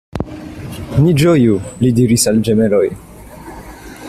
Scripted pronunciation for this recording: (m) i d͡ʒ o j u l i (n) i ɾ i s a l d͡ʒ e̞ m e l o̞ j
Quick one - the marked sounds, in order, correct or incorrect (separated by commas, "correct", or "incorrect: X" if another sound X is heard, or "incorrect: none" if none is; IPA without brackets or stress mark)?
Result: incorrect: n, incorrect: d